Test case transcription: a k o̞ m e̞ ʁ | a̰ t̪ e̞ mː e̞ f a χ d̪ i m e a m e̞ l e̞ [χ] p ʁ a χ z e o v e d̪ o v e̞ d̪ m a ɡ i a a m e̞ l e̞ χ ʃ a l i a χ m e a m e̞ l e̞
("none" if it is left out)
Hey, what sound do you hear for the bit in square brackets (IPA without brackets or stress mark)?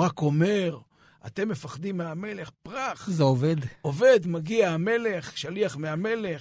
χ